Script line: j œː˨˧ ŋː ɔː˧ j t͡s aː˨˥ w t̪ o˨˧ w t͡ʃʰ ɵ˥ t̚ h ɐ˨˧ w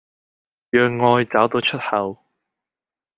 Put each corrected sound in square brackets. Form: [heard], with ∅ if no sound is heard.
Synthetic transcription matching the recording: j œː˨˧ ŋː ɔː˧ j t͡s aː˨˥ w t̪ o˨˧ w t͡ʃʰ ɵ˥ t̚ h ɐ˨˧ w